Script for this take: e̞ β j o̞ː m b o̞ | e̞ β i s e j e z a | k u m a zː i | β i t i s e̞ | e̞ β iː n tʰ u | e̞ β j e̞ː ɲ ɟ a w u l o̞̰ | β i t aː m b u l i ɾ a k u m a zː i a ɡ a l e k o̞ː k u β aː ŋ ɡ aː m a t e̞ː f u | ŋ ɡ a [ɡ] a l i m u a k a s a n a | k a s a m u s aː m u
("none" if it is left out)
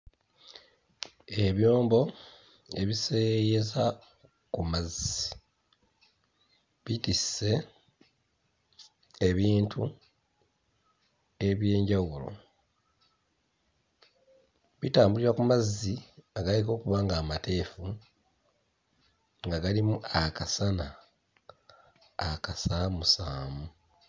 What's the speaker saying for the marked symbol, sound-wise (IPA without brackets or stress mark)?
ɡ